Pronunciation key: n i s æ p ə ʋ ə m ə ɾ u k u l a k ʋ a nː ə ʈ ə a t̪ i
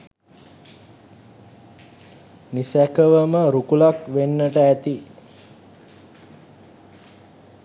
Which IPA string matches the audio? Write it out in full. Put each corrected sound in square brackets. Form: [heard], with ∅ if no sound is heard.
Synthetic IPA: n i s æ [k] ə ʋ ə m ə ɾ u k u l a k ʋ [e] nː ə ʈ ə [æ] t̪ i